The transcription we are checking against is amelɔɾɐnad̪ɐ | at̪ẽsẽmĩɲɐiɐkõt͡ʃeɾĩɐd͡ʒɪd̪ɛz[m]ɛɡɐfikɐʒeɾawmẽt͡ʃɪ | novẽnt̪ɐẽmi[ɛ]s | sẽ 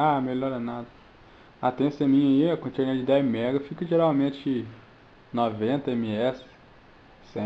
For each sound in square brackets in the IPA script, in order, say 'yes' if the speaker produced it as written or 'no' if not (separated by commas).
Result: yes, yes